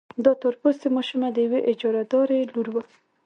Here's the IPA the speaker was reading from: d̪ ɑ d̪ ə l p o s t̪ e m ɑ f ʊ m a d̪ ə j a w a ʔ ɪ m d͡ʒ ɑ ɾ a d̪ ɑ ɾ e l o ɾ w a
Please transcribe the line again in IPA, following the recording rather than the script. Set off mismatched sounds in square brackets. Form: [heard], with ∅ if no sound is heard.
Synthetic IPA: d̪ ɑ [t̪] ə [ɾ] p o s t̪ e m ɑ [ʃ] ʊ m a d̪ ə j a w [e] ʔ ɪ [∅] d͡ʒ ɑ ɾ a d̪ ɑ ɾ e l [u] ɾ w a